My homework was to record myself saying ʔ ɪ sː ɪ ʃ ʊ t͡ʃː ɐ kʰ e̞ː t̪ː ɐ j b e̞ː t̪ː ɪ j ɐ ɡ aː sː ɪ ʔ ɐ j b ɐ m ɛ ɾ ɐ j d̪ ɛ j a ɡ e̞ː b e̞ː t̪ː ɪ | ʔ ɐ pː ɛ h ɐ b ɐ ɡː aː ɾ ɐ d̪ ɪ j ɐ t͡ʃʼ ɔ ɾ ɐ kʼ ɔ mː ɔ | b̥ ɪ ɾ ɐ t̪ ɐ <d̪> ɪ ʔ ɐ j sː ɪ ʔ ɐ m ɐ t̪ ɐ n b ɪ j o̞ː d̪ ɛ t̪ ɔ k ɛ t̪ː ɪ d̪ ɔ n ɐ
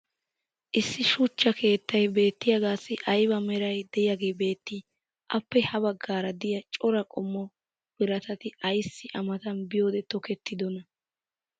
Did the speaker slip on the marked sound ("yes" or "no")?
yes